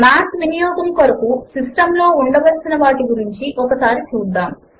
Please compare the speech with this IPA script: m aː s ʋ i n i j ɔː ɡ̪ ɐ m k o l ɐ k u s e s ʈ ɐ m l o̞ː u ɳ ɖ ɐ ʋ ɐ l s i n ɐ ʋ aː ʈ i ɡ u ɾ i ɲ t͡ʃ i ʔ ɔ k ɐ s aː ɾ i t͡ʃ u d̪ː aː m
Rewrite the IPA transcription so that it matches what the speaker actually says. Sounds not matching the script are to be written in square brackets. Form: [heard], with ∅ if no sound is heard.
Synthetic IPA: m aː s ʋ i n i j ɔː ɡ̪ ɐ m k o [ɾ] ɐ k u s [i] s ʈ ɐ m l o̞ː u ɳ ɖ ɐ ʋ ɐ l s i n ɐ ʋ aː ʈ i ɡ u ɾ i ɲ t͡ʃ i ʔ ɔ k ɐ s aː ɾ i t͡ʃ [uː] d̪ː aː m

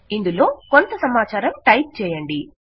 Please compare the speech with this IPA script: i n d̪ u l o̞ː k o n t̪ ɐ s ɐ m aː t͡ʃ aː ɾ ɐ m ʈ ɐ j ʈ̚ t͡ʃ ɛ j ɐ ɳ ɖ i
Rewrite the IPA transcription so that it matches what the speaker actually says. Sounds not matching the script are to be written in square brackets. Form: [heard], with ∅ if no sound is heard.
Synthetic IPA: i n d̪ u l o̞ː k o n t̪ ɐ s ɐ m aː t͡ʃ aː ɾ ɐ m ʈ ɐ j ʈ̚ t͡ʃ [ɛː] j ɐ ɳ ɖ i

